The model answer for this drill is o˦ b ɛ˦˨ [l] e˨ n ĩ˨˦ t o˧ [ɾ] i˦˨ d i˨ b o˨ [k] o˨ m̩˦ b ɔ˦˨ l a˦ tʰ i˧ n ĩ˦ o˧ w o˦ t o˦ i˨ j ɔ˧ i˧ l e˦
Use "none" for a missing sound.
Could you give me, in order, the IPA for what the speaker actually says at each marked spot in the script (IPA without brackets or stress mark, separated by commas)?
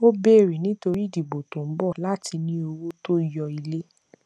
ɾ, ɾ, t